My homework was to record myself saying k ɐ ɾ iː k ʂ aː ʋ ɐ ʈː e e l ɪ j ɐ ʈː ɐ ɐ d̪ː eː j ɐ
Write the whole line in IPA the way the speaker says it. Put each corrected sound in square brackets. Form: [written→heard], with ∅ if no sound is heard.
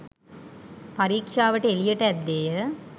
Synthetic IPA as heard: [k→p] ɐ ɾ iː k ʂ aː ʋ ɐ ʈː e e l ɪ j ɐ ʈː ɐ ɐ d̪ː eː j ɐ